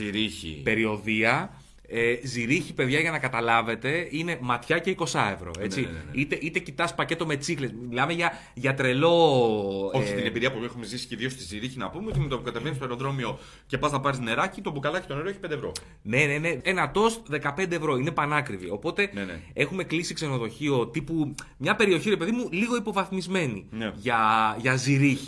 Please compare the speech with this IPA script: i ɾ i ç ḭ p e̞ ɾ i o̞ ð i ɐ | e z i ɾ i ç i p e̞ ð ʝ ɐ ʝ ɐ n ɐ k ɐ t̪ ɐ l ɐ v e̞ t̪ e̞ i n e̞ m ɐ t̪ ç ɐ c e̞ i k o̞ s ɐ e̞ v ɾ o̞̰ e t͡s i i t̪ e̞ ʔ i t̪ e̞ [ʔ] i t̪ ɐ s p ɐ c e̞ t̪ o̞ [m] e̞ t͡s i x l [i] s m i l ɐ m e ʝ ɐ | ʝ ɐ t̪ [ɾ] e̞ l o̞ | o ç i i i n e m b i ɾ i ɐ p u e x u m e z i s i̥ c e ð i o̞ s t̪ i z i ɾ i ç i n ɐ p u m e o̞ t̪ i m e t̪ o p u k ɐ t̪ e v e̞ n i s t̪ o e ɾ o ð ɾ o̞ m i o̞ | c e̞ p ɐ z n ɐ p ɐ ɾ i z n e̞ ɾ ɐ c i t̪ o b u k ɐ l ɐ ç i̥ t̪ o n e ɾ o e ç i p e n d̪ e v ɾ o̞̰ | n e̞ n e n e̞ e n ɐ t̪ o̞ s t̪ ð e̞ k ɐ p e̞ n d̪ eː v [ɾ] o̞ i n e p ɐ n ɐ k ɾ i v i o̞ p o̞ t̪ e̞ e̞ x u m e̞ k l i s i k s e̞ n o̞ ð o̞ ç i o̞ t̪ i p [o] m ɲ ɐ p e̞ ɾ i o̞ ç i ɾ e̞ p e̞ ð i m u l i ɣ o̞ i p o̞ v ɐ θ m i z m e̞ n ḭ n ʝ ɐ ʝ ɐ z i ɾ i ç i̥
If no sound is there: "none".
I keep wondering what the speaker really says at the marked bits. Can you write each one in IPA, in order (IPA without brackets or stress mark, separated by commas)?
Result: c, m, e, ɾ, ɾ, u